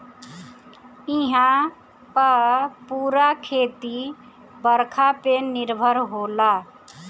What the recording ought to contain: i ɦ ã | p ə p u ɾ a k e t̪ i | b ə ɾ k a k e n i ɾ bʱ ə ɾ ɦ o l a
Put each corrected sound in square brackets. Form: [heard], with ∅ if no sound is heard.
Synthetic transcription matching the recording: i ɦ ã | p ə p u ɾ a [kʰ] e t̪ i | b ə ɾ [kʰ] a [p] e n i ɾ bʱ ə ɾ ɦ o l a